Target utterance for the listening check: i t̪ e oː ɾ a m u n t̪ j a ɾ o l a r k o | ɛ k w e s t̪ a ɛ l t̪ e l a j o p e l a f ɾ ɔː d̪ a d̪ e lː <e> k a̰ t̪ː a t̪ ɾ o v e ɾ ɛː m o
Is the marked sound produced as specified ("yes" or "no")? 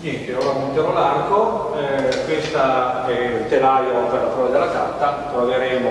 no